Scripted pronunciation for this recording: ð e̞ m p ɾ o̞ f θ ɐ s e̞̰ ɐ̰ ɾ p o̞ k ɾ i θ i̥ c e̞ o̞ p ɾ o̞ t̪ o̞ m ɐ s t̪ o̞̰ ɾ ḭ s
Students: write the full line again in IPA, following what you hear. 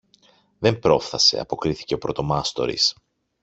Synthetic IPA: ð e̞ m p ɾ o̞ f θ ɐ s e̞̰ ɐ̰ p o̞ k ɾ i θ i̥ c e̞ o̞ p ɾ o̞ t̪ o̞ m ɐ s t̪ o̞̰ ɾ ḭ s